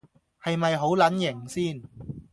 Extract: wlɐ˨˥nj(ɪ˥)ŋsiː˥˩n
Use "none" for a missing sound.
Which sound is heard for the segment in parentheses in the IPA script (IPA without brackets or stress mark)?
ɪ˨˩